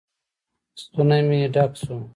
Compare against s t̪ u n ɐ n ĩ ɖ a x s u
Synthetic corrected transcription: s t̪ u n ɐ m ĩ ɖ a k s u